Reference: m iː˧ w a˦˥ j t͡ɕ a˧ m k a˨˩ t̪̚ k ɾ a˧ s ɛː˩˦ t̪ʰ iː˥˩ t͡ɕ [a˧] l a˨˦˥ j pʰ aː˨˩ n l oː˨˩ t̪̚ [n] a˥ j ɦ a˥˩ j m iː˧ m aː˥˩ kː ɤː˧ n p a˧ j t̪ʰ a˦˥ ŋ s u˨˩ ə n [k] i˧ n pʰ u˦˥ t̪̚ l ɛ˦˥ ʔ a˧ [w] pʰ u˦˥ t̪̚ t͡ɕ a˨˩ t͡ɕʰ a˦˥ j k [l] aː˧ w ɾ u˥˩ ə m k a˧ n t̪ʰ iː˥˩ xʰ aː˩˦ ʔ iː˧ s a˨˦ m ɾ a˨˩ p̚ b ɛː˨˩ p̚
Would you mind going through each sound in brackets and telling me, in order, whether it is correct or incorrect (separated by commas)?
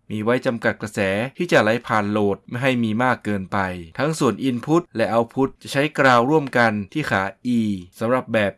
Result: incorrect, incorrect, incorrect, correct, incorrect